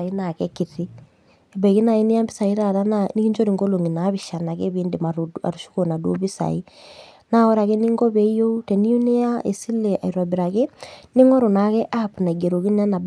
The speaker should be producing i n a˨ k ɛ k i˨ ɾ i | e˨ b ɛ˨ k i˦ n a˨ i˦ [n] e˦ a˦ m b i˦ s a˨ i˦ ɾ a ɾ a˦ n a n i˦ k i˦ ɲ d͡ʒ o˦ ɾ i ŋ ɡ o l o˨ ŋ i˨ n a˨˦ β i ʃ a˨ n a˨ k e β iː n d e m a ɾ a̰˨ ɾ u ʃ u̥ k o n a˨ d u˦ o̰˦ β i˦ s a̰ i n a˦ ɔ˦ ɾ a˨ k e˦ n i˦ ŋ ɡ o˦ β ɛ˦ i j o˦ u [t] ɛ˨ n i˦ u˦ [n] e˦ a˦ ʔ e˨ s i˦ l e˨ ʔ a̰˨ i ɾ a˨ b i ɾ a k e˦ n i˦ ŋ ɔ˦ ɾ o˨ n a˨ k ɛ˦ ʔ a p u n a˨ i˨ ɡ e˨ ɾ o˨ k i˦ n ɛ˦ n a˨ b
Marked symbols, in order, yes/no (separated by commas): yes, yes, yes